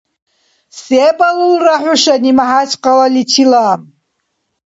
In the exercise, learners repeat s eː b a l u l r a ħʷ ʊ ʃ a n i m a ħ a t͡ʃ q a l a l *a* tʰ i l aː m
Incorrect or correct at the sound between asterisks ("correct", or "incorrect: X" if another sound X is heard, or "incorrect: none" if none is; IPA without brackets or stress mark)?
incorrect: i